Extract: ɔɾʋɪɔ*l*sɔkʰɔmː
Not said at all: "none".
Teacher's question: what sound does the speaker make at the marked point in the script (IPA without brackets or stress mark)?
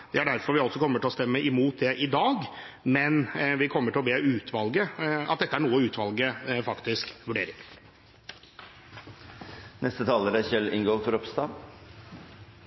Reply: l